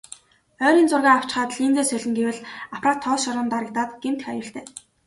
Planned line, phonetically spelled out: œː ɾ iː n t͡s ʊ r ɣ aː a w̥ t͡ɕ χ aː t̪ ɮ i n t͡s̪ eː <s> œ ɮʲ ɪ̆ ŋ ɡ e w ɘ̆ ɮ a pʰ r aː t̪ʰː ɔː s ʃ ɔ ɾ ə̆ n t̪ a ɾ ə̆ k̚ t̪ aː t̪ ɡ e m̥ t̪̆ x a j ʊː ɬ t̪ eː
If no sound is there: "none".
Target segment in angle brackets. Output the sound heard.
s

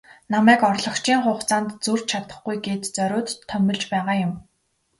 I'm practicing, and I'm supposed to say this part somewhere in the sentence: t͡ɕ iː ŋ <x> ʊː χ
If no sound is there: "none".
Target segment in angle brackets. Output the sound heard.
χ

